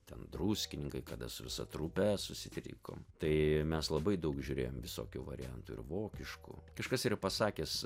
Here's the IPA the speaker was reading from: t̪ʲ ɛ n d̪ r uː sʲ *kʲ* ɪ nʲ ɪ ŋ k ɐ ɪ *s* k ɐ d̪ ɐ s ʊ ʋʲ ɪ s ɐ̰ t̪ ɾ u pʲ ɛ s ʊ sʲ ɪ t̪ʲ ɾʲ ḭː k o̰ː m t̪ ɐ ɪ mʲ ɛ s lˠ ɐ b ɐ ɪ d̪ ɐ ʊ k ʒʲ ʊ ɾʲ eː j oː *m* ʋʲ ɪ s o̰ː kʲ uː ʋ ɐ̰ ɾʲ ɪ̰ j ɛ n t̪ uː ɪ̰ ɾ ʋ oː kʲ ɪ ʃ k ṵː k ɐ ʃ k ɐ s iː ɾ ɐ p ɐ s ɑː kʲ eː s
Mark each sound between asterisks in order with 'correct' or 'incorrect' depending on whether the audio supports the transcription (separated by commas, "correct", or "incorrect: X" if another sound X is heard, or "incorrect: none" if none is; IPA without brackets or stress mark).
correct, incorrect: none, correct